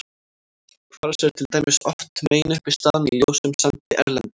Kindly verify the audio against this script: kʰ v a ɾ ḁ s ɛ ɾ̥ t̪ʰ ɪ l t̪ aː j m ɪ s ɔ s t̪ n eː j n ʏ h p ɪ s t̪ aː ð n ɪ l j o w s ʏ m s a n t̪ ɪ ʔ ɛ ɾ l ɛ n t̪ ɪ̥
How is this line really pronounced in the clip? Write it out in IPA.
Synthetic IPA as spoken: kʰ v a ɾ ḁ s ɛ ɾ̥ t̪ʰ ɪ l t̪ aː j m ɪ s ɔ f t̪ m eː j n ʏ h p ɪ s t̪ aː ð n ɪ l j o w s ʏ m s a n t̪ ɪ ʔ ɛ ɾ l ɛ n t̪ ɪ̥